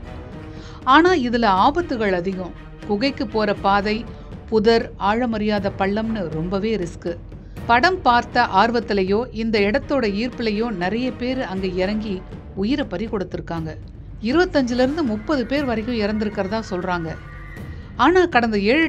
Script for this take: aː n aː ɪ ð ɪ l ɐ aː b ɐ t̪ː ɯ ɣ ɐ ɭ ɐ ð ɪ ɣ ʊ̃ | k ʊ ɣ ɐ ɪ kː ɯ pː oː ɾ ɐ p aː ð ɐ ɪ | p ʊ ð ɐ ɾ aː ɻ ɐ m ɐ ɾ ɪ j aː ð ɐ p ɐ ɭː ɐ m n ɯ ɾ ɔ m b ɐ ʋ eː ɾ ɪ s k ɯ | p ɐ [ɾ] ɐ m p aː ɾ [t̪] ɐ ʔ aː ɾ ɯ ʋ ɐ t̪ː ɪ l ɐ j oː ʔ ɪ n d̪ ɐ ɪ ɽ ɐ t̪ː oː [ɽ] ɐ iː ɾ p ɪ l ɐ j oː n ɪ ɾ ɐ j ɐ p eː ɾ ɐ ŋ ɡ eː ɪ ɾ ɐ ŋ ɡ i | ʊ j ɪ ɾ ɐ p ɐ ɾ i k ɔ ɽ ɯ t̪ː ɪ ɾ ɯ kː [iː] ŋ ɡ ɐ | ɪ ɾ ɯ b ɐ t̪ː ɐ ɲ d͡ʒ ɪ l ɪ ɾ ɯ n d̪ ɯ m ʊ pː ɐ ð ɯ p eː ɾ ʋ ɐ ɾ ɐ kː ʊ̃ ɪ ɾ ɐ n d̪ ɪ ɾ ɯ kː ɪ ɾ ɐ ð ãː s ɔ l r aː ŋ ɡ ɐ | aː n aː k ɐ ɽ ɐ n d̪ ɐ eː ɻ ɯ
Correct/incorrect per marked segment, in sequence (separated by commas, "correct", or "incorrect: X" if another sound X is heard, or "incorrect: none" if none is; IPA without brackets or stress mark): incorrect: ɽ, correct, correct, incorrect: aː